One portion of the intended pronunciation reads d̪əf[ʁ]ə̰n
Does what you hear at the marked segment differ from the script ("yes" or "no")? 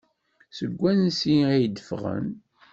no